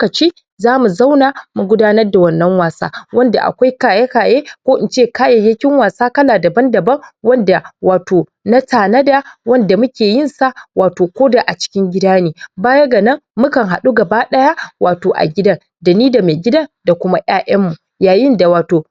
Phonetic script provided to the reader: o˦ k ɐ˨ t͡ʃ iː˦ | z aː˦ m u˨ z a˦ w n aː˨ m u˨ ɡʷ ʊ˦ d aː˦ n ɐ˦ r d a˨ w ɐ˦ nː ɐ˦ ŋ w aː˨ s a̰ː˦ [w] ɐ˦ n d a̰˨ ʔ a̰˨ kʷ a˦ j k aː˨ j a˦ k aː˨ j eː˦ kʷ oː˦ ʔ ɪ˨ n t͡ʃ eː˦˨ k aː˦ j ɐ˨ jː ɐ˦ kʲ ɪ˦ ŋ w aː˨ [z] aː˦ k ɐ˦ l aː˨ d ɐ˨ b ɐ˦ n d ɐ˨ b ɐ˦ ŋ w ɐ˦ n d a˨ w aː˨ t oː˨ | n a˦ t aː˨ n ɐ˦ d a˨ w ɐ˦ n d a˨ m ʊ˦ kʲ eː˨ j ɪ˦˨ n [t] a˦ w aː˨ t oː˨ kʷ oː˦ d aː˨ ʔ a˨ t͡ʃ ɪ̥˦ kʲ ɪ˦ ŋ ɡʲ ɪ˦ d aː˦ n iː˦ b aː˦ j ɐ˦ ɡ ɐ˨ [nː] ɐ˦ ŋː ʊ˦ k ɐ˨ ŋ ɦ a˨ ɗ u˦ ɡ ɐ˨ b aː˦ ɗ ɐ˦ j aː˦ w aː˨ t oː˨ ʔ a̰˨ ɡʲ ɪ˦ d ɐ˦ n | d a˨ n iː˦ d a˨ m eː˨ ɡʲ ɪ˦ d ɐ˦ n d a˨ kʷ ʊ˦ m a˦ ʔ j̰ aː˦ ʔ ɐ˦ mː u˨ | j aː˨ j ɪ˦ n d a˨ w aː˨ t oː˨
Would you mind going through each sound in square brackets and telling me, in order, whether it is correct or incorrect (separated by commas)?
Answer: correct, incorrect, incorrect, incorrect